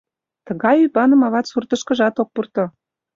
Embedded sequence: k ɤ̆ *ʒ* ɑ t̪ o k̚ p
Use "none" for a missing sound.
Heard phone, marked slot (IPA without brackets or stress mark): ʒ